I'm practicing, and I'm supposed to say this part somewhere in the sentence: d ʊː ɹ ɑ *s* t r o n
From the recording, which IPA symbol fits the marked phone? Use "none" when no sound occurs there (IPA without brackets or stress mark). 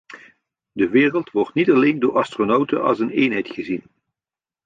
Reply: s